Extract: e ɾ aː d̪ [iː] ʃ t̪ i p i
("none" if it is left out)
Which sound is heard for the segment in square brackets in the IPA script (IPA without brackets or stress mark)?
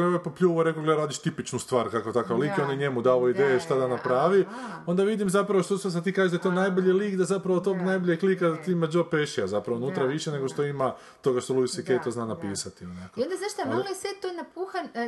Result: i